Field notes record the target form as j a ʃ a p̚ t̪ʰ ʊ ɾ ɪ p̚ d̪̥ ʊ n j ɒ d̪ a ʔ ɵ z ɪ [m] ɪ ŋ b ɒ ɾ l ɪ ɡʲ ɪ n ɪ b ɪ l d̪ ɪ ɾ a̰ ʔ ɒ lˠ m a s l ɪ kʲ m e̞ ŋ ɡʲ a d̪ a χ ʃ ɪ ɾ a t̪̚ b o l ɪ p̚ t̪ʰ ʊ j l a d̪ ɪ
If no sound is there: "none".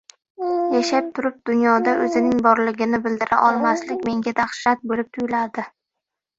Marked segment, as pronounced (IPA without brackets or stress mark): n